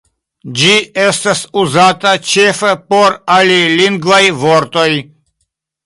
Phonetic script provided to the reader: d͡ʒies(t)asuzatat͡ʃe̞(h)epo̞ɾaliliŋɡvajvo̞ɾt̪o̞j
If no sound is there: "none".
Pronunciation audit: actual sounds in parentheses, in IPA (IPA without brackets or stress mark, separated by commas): t, f